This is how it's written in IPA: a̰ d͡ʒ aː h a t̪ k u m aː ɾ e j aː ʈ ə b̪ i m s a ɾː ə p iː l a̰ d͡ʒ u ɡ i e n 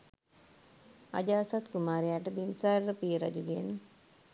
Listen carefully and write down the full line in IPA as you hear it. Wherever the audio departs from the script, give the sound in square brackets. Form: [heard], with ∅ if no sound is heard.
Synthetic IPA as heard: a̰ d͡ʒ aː [s] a t̪ k u m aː ɾ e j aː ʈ ə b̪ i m s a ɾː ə p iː [ɾ] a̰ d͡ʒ u ɡ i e n